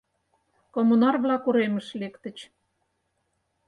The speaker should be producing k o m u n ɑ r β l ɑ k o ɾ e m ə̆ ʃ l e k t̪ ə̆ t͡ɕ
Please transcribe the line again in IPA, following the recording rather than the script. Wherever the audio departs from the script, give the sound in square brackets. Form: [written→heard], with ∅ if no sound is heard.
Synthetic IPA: k o m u n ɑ r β l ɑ k [o→u] ɾ e m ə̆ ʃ l e k t̪ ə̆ t͡ɕ